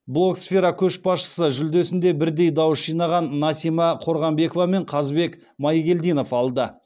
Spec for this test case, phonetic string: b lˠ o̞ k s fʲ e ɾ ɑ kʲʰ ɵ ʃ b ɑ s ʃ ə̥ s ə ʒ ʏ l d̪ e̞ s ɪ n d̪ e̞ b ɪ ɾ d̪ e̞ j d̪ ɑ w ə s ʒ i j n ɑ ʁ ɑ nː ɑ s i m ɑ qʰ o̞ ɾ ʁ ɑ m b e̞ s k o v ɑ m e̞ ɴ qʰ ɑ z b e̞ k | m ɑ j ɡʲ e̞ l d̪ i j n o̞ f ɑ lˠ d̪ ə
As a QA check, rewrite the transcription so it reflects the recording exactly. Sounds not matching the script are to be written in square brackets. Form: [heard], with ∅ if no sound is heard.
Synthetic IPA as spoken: b lˠ o̞ k s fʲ e ɾ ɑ kʲʰ ɵ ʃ b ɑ s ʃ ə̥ s ə ʒ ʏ l d̪ e̞ s ɪ n d̪ e̞ b ɪ ɾ d̪ e̞ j d̪ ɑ w ə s ʒ i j n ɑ ʁ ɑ nː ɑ s i m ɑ qʰ o̞ ɾ ʁ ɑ m b e̞ [∅] k o v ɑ m e̞ ɴ qʰ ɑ z b e̞ k | m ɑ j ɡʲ e̞ l d̪ i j n o̞ f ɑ lˠ d̪ ə

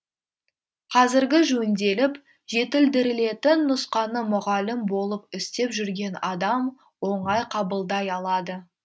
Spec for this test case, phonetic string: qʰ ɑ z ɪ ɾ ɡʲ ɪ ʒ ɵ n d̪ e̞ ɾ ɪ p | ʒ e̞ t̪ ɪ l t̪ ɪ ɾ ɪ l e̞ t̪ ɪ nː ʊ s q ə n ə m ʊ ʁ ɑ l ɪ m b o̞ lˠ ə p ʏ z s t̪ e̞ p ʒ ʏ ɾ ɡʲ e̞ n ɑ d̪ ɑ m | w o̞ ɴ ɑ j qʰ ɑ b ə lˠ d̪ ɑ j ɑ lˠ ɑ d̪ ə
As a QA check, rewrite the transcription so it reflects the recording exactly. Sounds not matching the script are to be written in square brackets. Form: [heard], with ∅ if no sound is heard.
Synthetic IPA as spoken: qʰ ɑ z ɪ ɾ ɡʲ ɪ ʒ ɵ n d̪ e̞ [l] ɪ p | ʒ e̞ t̪ ɪ l [d̪] ɪ ɾ ɪ l e̞ t̪ ɪ nː ʊ s q [ɑ] n ə m ʊ ʁ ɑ l ɪ m b o̞ lˠ ə p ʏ [∅] s t̪ e̞ p ʒ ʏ ɾ ɡʲ e̞ n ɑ d̪ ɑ m | w o̞ ɴ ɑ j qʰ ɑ b ə lˠ d̪ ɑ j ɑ lˠ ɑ d̪ ə

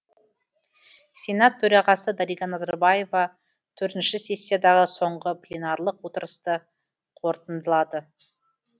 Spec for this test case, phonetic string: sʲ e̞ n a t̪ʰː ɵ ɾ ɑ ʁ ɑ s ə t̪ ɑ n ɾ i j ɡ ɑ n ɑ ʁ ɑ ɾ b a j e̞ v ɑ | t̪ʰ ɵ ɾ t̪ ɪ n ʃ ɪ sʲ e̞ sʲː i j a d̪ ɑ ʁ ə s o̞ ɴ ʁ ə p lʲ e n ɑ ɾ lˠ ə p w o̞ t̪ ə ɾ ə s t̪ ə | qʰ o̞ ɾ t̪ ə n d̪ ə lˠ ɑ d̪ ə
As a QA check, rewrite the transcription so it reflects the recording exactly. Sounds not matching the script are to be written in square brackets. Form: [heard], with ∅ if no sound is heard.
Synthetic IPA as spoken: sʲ e̞ n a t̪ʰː ɵ ɾ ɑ ʁ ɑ s ə [d̪] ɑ [∅] ɾ i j ɡ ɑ n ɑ [z] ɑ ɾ b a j e̞ v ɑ | t̪ʰ ɵ ɾ t̪ ɪ n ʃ ɪ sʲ e̞ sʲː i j a d̪ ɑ ʁ ə s o̞ ɴ ʁ ə p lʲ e n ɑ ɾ lˠ ə [q] w o̞ t̪ ə ɾ ə s t̪ ə | qʰ o̞ ɾ t̪ ə n d̪ ə lˠ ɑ d̪ ə

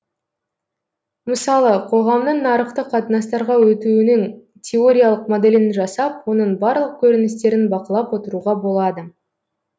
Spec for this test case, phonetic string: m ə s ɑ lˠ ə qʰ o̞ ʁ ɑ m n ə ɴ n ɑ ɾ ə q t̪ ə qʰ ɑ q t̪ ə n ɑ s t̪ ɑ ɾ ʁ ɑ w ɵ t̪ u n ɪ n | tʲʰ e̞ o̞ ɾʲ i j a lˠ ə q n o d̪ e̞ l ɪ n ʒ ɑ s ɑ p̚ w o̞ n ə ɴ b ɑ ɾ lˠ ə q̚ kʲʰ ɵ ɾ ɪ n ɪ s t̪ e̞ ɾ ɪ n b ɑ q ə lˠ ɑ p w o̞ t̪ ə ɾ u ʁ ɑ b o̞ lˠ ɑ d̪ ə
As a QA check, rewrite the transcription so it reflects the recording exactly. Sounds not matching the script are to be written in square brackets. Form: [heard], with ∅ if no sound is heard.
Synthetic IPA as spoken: m ə s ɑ lˠ ə qʰ o̞ ʁ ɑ m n ə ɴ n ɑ ɾ ə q t̪ ə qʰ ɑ [∅] t̪ ə n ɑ s t̪ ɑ ɾ ʁ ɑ w ɵ t̪ u n ɪ [ŋ] | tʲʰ e̞ o̞ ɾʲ i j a lˠ ə q [m] o d̪ e̞ l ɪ n ʒ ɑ s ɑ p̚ w o̞ n ə ɴ b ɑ ɾ lˠ ə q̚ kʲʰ ɵ ɾ ɪ n ɪ s t̪ e̞ ɾ ɪ n b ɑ q ə lˠ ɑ p w o̞ t̪ ə ɾ u ʁ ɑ b o̞ lˠ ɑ d̪ ə

